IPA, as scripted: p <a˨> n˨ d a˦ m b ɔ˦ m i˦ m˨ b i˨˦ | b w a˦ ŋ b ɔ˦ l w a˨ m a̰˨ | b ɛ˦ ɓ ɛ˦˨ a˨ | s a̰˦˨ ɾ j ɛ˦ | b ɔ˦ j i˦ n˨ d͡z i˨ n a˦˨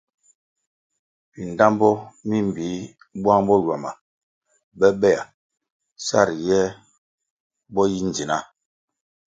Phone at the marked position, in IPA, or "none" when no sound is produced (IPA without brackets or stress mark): i˨